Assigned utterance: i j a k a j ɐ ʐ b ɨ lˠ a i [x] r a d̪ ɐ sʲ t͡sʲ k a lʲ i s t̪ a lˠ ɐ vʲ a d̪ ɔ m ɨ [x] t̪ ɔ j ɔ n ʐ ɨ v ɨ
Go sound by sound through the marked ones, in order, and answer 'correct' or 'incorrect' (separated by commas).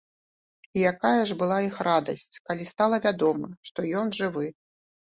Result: correct, incorrect